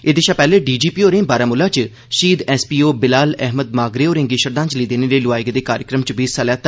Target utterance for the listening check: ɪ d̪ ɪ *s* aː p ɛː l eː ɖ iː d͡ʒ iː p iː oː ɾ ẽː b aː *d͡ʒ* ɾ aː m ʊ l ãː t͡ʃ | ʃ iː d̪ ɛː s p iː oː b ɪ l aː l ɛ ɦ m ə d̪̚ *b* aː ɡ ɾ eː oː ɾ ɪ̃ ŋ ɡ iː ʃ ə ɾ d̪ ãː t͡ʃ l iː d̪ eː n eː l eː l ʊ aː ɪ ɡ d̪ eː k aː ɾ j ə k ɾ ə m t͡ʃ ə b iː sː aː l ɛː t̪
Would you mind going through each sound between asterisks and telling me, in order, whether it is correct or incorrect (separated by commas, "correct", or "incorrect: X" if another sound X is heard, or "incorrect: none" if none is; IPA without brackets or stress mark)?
incorrect: ʃ, incorrect: none, incorrect: m